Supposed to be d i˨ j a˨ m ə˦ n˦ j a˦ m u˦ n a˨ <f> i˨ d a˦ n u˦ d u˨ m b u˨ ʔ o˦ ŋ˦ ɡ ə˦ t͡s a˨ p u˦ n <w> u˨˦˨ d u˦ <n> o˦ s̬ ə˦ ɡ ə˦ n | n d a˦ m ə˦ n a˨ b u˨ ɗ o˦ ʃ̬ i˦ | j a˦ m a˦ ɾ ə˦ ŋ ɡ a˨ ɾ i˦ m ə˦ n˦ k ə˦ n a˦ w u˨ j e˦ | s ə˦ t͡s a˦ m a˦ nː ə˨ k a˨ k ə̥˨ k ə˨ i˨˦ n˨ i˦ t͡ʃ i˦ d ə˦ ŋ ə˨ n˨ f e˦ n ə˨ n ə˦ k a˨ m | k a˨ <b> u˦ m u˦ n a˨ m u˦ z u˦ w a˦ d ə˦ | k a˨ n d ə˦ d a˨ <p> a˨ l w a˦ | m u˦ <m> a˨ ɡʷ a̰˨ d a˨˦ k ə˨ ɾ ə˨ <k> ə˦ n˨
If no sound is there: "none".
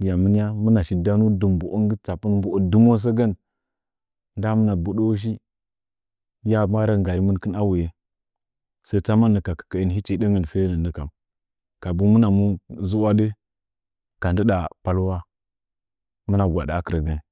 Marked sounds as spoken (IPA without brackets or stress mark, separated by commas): ʃ, b, m, b, p, n, ɡ